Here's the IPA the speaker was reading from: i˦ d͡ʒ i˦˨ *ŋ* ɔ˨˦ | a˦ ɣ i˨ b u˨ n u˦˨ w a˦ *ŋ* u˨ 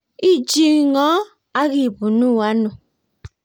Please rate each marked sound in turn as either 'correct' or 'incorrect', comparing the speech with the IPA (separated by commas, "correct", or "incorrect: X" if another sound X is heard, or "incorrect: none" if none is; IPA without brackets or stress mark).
correct, incorrect: n